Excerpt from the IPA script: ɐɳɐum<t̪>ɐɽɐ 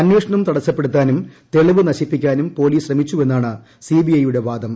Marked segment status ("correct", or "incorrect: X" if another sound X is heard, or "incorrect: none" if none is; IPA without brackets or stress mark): correct